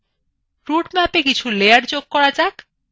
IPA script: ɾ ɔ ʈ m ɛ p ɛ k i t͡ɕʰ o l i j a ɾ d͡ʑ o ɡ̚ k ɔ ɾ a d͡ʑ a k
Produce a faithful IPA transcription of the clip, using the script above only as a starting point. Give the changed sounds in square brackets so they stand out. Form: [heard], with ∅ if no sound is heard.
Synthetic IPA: ɾ [u] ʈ m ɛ p [e] k i t͡ɕʰ [u] l [e] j a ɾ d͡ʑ o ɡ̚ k ɔ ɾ a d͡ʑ a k